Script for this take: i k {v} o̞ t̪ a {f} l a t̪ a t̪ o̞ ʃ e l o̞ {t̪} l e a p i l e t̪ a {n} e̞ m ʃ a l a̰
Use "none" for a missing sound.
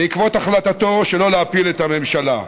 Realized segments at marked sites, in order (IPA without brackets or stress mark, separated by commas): v, χ, none, m